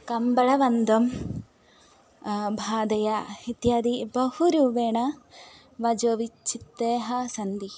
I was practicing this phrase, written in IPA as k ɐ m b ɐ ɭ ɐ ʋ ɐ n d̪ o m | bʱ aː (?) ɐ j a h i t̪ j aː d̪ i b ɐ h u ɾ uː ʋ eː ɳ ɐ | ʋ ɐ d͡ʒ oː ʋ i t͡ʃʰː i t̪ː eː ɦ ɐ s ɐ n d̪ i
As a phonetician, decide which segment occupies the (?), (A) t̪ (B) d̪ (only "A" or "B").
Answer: B